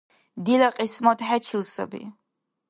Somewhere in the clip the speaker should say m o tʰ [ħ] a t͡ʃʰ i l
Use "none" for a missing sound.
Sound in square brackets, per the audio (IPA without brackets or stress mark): ħ